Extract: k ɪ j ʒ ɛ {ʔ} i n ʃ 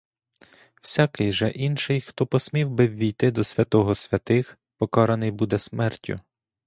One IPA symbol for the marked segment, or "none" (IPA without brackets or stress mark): ʔ